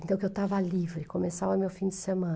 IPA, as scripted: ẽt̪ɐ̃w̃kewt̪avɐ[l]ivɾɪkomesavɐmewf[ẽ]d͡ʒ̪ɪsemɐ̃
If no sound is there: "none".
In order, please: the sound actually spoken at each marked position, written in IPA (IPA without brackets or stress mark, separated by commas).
l, ĩ